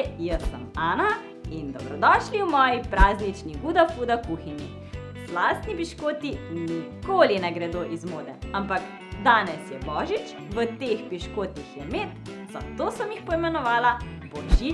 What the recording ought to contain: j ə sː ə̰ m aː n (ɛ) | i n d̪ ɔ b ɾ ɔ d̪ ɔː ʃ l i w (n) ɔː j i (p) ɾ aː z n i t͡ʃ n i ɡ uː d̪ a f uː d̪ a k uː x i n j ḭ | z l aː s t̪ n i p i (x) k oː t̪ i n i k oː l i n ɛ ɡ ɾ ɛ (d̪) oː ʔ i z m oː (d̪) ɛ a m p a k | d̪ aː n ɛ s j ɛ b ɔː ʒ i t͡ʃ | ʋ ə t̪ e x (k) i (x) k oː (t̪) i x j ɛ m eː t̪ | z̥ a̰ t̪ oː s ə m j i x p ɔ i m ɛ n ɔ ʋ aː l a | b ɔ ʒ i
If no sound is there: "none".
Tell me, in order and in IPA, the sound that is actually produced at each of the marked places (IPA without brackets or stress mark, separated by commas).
a, m, p, ʃ, d̪, d̪, p, ʃ, t̪